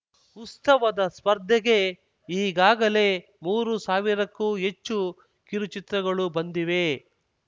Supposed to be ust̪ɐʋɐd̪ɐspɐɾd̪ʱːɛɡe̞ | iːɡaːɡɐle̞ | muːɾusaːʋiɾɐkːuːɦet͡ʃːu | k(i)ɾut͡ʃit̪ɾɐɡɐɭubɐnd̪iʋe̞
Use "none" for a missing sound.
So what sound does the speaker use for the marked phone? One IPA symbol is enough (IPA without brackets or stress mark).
i